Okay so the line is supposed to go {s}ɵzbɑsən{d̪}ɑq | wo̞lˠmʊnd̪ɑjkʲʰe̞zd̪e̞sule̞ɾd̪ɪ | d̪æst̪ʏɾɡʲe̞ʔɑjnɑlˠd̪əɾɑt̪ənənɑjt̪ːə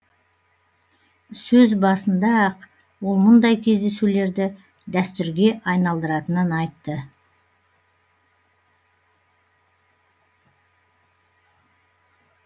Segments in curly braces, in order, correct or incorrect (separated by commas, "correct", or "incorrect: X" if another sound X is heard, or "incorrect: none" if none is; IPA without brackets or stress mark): correct, correct